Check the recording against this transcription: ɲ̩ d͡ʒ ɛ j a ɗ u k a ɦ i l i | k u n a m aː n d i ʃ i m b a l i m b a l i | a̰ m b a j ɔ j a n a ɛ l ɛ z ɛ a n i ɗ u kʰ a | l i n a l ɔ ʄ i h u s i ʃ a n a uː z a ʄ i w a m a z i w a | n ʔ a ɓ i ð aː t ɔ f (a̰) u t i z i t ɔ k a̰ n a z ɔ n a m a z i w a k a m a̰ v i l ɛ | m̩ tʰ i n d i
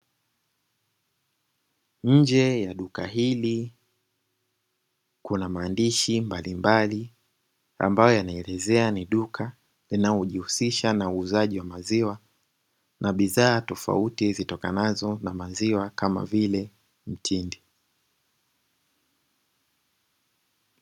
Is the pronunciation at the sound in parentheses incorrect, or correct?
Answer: correct